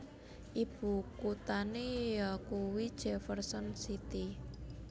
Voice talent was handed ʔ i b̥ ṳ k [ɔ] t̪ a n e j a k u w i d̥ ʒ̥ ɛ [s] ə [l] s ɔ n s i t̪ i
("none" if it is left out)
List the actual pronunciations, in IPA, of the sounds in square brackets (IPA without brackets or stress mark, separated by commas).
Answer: u, f, r